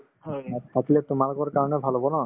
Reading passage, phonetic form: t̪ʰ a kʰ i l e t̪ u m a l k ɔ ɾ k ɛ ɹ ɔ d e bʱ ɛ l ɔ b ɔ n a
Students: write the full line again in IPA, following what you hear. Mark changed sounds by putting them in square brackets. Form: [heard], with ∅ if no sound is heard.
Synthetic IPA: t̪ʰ a [k] i l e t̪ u m a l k ɔ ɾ k [a] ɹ ɔ [n] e bʱ [a] l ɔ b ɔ n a